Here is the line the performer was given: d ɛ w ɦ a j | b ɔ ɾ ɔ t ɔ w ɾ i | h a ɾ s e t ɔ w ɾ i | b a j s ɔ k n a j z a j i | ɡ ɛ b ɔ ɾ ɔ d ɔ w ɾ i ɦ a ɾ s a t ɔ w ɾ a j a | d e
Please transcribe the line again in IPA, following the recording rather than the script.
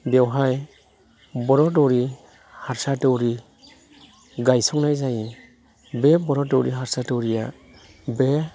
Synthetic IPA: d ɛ w ɦ a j | b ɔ ɾ ɔ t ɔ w ɾ i | h a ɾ s a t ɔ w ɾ i | ɡ a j s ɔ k n a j z a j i | b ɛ b ɔ ɾ ɔ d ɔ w ɾ i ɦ a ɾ s a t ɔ w ɾ i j a | b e